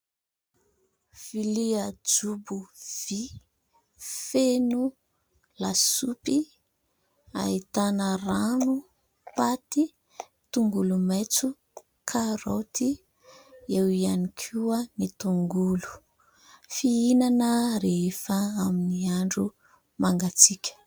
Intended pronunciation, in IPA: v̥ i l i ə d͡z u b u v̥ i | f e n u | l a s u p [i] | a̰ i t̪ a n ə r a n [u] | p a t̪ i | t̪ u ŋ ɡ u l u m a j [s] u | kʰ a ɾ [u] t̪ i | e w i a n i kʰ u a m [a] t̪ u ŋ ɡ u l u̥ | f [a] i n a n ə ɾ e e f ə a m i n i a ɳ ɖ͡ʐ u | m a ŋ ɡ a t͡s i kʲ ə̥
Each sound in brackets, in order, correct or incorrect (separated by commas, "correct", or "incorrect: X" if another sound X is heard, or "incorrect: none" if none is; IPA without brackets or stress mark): correct, correct, incorrect: t͡s, incorrect: o, incorrect: i, incorrect: i